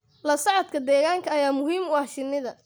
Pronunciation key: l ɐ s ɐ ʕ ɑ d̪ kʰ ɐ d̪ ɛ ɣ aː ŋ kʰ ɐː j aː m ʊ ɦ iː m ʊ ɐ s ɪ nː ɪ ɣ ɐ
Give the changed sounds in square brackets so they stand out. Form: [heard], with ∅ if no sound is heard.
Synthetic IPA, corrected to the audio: l ɐ s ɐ ʕ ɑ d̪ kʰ ɐ d̪ [ɛː] ɣ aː ŋ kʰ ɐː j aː m ʊ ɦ iː m ʊ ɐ [ʃ] ɪ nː ɪ [ð] ɐ